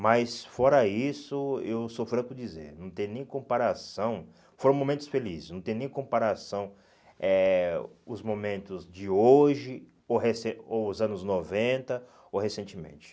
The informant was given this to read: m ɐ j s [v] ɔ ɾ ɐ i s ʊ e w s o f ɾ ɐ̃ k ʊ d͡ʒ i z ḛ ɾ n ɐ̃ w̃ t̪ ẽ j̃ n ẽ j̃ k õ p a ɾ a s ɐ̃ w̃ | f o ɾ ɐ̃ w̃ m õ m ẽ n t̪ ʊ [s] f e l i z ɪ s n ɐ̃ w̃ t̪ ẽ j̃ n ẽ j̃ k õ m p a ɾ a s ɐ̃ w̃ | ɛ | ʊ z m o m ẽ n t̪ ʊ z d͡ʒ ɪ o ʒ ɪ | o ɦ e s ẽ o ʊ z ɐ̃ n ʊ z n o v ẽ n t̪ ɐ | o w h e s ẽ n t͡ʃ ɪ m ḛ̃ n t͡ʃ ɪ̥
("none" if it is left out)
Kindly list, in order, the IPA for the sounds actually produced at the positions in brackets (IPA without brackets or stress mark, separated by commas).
f, s